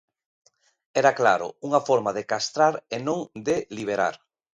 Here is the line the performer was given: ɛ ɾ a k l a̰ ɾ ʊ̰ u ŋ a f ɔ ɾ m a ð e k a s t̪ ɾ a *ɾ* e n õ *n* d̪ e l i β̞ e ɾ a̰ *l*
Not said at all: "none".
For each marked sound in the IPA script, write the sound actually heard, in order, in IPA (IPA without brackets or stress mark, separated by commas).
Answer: ɾ, ŋ, ɾ